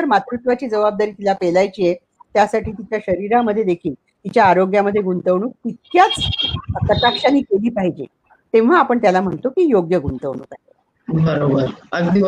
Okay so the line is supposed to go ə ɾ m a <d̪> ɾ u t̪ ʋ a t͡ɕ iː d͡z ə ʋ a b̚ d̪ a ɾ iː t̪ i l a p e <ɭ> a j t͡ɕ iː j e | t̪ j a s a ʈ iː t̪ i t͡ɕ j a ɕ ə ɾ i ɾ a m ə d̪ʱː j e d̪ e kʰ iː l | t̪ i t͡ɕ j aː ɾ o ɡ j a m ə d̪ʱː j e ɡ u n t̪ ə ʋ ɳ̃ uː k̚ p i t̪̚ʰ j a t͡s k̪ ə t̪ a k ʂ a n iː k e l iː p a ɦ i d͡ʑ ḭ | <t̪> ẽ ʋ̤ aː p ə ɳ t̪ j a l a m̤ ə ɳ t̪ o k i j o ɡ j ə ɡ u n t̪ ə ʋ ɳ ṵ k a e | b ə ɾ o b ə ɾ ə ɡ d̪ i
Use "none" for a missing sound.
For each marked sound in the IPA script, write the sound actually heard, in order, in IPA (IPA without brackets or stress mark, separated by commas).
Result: t̪, l, t̪